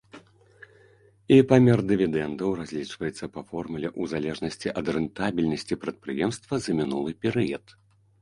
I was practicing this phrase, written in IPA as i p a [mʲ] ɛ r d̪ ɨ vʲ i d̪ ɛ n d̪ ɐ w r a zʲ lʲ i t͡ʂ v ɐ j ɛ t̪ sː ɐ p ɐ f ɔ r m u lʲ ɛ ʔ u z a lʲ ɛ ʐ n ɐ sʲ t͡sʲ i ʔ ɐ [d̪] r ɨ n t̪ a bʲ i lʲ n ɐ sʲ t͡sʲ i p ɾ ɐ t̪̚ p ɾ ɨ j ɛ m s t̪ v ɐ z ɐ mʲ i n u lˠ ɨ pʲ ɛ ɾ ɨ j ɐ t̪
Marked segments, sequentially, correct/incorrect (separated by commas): correct, correct